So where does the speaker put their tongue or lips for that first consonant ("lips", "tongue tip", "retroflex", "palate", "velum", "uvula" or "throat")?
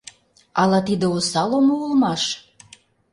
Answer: tongue tip